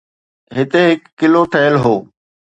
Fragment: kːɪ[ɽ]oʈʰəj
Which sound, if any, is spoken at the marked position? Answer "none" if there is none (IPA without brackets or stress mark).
l